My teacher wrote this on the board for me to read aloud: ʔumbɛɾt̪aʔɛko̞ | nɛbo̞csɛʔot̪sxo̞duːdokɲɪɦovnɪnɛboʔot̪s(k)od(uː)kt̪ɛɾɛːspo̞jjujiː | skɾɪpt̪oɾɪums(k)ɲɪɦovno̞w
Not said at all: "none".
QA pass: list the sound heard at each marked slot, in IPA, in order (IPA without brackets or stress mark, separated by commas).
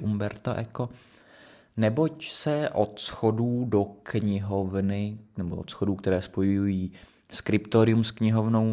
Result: x, uː, k